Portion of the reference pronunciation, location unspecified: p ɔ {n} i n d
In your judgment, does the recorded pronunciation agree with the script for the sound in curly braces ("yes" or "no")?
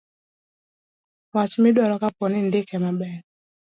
yes